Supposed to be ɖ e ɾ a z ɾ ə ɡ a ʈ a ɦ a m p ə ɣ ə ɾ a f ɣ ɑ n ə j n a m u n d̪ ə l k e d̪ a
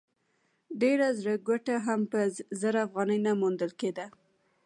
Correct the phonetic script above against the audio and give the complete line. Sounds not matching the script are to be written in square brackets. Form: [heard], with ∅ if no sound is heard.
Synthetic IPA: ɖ e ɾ a z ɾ ə ɡ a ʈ a ɦ a m p ə [z] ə ɾ a f ɣ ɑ n ə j n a m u n d̪ ə l k e d̪ a

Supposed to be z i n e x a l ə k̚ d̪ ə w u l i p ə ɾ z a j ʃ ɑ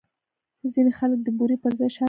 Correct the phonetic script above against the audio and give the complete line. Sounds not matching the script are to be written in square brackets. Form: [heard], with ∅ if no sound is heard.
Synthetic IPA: z i n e x a l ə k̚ d̪ ə [b] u [ɾ] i p ə ɾ z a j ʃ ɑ

